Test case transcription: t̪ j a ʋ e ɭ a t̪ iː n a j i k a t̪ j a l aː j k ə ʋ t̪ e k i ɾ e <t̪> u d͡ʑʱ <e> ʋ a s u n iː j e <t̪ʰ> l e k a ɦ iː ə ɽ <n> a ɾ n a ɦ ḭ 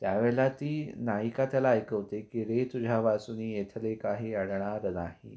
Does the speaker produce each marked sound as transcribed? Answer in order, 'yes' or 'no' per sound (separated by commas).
yes, no, yes, no